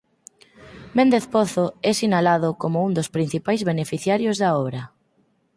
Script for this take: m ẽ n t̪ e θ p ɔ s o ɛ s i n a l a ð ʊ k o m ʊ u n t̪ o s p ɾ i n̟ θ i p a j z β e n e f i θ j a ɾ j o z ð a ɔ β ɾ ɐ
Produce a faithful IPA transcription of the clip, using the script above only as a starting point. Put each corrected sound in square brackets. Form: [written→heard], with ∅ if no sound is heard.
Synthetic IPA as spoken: m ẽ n [t̪→d̪] e θ p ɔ [s→θ] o ɛ s i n a l a ð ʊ k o m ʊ u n [t̪→d̪] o s p ɾ i n̟ θ i p a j z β e n e f i θ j a ɾ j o z ð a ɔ β ɾ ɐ

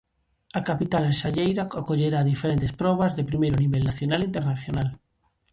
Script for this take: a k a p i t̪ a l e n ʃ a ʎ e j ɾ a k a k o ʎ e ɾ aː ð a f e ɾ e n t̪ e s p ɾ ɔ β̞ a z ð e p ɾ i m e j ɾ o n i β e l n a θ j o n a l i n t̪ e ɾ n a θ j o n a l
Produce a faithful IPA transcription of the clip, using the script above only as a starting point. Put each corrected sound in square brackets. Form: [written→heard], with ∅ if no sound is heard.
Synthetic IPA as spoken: a k a p i t̪ a l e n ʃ a ʎ e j ɾ a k a k o ʎ e ɾ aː ð [a→i] f e ɾ e n t̪ e s p ɾ ɔ β̞ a z ð e p ɾ i m e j ɾ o n i β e l n a θ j o n a l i n t̪ e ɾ n a θ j o n a l

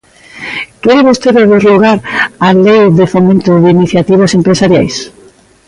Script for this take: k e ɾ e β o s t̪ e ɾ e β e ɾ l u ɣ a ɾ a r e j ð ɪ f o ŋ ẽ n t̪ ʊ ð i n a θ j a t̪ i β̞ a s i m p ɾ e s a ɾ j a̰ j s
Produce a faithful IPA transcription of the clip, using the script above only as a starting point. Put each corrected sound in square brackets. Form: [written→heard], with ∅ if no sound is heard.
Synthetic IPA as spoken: k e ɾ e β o s t̪ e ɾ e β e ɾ l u ɣ a ɾ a [r→l] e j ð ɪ f o [ŋ→m] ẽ n t̪ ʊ ð i n [a→i] θ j a t̪ i β̞ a s [i→e] m p ɾ e s a ɾ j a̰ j s

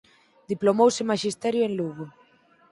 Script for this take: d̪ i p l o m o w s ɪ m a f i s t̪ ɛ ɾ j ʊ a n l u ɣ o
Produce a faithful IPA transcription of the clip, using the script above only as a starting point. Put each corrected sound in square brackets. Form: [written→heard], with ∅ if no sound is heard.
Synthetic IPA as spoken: d̪ i p l o m o w s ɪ m a [f→ʃ] i s t̪ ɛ ɾ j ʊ [a→e] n l u ɣ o

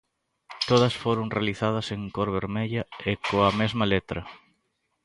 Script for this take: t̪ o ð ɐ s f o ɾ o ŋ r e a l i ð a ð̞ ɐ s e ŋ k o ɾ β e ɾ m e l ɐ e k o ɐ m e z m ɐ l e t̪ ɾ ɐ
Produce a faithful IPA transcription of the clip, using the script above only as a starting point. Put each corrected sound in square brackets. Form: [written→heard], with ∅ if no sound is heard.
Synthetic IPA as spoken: t̪ o ð ɐ s f o ɾ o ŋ r e a l i [ð→θ] a ð̞ ɐ s e ŋ k o ɾ β e ɾ m e [l→ʎ] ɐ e k o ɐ m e z m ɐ l e t̪ ɾ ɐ

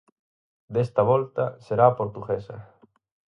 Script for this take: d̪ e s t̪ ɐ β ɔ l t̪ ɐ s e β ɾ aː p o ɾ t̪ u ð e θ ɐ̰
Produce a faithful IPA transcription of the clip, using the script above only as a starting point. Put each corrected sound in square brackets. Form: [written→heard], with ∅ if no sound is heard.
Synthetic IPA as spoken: d̪ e s t̪ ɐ β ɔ l t̪ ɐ s e [β→∅] ɾ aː p o ɾ t̪ u [ð→ɣ] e [θ→s] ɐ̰

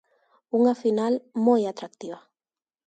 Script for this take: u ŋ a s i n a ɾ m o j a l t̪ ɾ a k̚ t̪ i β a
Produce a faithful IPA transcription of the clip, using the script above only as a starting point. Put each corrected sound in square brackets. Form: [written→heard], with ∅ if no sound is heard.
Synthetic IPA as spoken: u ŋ a [s→f] i n a [ɾ→l] m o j a [l→∅] t̪ ɾ a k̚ t̪ i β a

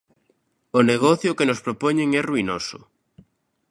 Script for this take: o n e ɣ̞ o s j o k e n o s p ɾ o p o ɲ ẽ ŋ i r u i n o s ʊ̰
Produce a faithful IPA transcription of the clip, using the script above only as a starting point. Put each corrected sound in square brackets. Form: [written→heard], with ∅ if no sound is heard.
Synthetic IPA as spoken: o n e ɣ̞ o [s→θ] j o k e n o s p ɾ o p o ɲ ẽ ŋ [i→ɛ] r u i n o s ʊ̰

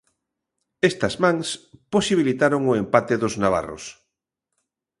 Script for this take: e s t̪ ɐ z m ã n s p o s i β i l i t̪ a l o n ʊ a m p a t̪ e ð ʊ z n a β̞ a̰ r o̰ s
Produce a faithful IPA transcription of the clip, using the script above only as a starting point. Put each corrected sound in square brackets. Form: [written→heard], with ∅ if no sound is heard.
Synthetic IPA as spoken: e s t̪ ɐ z m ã [n→ŋ] s p o s i β i l i t̪ a [l→ɾ] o [n→ŋ] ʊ [a→e] m p a t̪ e ð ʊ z n a β̞ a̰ r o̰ s

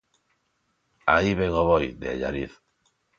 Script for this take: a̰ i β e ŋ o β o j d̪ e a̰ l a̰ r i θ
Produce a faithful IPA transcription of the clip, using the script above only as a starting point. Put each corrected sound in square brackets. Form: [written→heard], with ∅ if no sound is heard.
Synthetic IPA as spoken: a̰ i β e ŋ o β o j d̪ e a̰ [l→ʎ] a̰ [r→ɾ] i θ

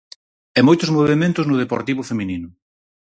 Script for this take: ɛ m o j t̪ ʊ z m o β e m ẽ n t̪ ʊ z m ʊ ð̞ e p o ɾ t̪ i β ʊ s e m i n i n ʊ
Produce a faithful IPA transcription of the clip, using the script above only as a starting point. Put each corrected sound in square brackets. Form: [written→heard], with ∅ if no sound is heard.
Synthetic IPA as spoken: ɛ m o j t̪ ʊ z m o β e m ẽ n t̪ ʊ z [m→n] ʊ ð̞ e p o ɾ t̪ i β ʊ [s→f] e m i n i n ʊ

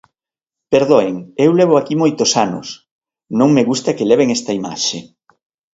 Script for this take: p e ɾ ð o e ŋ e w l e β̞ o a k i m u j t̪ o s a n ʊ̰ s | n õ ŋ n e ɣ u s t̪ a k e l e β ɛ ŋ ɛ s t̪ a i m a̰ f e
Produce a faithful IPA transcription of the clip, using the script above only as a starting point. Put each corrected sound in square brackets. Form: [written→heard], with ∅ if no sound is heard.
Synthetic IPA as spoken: p e ɾ ð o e ŋ e w l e β̞ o a k i m [u→o] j t̪ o s a n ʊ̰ s | n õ ŋ [n→m] e ɣ u s t̪ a k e l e β [ɛ→e] ŋ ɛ s t̪ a i m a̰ [f→ʃ] e

